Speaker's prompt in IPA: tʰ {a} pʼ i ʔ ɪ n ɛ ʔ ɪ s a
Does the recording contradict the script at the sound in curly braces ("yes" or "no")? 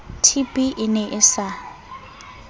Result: yes